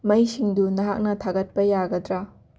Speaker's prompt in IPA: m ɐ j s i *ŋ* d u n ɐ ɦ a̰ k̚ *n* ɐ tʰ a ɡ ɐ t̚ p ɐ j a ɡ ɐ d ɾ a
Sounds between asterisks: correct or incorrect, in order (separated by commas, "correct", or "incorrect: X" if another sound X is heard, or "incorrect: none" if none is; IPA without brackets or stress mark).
correct, correct